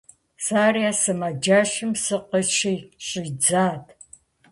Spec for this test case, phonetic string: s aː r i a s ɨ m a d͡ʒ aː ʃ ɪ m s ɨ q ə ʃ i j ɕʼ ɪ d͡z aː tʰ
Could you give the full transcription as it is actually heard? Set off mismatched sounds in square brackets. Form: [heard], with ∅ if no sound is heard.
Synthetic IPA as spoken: s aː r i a s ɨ m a d͡ʒ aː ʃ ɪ m s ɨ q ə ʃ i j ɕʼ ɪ d͡z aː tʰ